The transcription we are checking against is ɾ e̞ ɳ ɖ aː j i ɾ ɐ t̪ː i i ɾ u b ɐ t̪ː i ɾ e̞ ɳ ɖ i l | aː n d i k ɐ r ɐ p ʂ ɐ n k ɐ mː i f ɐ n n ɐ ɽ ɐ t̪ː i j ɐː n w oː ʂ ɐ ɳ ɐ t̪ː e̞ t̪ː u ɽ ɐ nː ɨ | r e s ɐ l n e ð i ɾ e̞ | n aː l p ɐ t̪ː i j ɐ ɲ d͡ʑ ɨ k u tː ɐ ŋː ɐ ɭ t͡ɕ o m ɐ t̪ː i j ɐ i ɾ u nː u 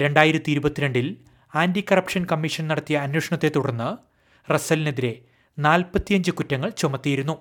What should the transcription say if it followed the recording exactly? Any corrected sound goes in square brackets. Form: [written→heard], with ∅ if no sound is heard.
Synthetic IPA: ɾ e̞ ɳ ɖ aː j i ɾ ɐ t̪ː i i ɾ u b ɐ t̪ː i ɾ e̞ ɳ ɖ i l | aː n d i k ɐ r ɐ p ʂ ɐ n k ɐ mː i [f→ʂ] ɐ n n ɐ ɽ ɐ t̪ː i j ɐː n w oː ʂ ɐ ɳ ɐ t̪ː e̞ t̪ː u ɽ ɐ nː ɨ | r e s ɐ l n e ð i ɾ e̞ | n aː l p ɐ t̪ː i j ɐ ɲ d͡ʑ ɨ k u tː ɐ ŋː ɐ ɭ t͡ɕ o m ɐ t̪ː i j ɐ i ɾ u nː u